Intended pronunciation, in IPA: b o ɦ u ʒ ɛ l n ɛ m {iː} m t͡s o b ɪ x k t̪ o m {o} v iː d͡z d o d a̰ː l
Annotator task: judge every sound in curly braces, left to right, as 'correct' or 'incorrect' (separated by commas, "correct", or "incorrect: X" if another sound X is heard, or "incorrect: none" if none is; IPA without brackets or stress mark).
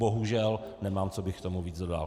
incorrect: aː, incorrect: u